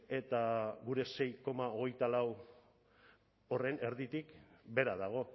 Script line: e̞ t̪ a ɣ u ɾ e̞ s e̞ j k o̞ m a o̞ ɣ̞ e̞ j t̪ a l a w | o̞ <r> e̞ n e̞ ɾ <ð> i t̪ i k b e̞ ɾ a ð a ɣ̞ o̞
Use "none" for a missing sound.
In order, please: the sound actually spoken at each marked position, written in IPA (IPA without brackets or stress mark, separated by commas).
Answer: r, ð